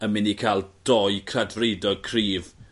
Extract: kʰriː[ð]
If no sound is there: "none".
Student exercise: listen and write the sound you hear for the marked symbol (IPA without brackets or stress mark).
v